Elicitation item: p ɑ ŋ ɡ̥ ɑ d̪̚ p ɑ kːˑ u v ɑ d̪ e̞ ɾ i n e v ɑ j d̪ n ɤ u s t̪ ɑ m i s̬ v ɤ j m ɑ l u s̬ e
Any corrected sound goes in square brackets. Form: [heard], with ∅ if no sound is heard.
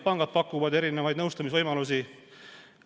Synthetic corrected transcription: p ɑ ŋ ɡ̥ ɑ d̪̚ p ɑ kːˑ u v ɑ d̪ e̞ ɾ i n e v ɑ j d̪ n ɤ [w] s t̪ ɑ m i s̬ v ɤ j m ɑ l u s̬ [i]